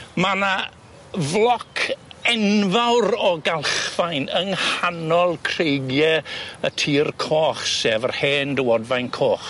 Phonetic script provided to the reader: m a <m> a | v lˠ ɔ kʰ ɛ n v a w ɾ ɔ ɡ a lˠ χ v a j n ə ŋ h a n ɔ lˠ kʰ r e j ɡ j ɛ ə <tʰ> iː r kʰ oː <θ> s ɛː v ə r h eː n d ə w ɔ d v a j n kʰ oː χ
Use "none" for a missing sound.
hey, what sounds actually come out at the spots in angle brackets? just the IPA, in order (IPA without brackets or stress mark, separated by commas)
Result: n, tʰ, χ